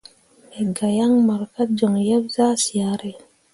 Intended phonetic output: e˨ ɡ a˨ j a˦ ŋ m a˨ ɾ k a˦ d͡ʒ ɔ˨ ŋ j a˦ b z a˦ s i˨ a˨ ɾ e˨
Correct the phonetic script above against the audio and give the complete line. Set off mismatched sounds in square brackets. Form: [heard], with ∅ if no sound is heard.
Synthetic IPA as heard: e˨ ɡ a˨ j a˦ ŋ m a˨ ɾ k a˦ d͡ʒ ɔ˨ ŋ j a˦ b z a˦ s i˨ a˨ ɾ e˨